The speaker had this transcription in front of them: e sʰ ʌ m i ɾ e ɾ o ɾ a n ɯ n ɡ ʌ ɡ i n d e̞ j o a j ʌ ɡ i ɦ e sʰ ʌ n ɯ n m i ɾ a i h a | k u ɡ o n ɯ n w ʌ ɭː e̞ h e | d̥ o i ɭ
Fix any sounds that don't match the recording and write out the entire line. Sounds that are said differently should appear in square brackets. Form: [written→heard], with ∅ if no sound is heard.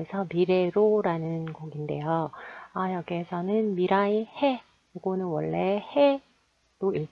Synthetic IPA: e sʰ ʌ m i ɾ e ɾ o ɾ a n ɯ n ɡ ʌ ɡ i n d e̞ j o a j ʌ ɡ i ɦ e sʰ ʌ n ɯ n m i ɾ a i h [a→e] | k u ɡ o n ɯ n w ʌ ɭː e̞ h e | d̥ o i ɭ